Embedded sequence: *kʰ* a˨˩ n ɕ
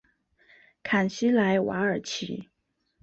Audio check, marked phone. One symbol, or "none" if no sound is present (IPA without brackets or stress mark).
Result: kʰ